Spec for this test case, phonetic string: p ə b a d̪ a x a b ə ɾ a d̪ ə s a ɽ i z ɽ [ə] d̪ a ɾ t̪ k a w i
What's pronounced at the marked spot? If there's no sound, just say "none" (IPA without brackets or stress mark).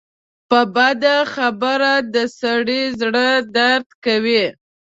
ə